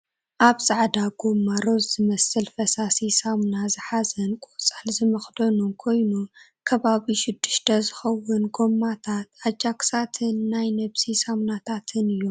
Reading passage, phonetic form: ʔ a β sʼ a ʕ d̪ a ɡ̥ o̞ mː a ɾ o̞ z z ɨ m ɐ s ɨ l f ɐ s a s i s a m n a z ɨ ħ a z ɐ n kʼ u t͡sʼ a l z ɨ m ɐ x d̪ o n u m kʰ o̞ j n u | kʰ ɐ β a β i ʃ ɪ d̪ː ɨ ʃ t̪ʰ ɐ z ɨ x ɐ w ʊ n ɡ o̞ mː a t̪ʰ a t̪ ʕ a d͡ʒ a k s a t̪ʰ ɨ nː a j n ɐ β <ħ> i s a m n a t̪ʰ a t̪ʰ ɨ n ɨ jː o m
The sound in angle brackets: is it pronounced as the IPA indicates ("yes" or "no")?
no